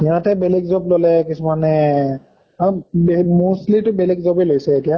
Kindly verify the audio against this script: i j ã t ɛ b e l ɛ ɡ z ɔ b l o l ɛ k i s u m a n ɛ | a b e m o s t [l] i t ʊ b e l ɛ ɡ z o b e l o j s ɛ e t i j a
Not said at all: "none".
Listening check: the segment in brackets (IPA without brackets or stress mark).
l